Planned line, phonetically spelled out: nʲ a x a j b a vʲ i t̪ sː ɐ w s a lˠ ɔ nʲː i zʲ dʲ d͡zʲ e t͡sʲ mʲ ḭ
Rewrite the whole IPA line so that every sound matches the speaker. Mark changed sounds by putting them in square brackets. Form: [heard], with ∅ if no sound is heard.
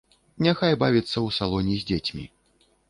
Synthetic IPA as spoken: nʲ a x a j b a vʲ i t̪ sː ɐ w s a lˠ ɔ [nʲ] i zʲ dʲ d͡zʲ e t͡sʲ mʲ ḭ